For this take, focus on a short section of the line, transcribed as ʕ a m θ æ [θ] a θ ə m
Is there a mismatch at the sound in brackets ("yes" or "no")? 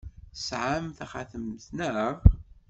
yes